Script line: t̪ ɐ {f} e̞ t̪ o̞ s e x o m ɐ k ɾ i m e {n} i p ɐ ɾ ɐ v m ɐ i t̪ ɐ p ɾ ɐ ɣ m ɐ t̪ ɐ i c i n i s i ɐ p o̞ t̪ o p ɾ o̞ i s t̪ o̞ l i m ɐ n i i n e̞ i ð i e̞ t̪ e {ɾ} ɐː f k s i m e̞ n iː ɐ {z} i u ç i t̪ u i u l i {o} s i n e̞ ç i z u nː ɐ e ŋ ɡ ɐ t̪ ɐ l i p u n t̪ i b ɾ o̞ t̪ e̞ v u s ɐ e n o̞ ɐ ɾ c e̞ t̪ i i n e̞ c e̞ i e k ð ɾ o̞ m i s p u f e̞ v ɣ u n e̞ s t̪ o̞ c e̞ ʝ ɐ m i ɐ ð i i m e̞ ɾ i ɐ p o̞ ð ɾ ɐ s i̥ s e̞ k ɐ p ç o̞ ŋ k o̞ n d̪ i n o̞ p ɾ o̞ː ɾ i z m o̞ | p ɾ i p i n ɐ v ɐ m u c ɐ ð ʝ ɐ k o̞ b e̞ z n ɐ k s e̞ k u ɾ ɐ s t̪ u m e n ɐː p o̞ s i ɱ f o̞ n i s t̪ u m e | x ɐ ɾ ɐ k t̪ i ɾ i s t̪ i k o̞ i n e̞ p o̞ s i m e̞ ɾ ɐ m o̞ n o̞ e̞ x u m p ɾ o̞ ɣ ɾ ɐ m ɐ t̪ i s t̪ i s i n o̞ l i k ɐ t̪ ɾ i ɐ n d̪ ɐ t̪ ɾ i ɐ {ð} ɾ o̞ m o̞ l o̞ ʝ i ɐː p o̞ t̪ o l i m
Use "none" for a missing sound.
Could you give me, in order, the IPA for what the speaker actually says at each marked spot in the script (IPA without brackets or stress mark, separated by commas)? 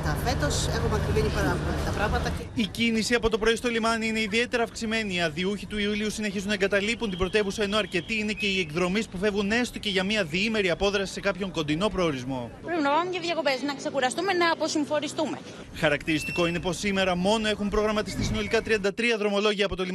f, n, ɾ, ð, u, ð